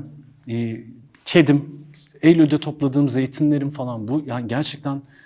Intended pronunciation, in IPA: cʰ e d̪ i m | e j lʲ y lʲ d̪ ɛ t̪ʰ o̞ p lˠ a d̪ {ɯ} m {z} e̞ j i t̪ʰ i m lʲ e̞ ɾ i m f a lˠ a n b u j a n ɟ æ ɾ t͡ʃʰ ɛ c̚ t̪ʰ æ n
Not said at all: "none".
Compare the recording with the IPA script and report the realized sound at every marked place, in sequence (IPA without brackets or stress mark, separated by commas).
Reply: ɯː, z